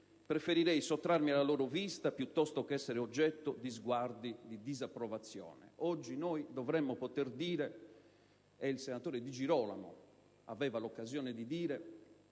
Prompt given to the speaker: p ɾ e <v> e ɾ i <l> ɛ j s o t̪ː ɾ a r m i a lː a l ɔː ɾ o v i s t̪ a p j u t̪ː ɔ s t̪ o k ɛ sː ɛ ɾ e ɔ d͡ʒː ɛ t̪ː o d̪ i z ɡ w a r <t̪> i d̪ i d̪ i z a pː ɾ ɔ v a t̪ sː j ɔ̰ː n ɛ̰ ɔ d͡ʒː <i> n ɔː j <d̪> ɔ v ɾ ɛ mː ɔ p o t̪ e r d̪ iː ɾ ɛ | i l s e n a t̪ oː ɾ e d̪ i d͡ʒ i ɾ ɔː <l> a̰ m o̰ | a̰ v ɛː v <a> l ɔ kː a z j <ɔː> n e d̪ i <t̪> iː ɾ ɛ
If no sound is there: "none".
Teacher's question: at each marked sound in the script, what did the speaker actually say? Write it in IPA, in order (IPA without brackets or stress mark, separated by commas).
f, ɾ, d̪, i, d̪, l, a, ɔː, d̪